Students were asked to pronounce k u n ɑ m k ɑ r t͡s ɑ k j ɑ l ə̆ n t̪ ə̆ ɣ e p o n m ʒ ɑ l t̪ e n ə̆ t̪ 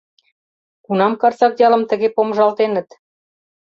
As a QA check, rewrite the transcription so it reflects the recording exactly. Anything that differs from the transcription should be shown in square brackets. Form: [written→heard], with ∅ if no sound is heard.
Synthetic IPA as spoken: k u n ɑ m k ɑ r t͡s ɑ k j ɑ l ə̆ [n→m] t̪ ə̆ ɣ e p o [n→∅] m ʒ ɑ l t̪ e n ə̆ t̪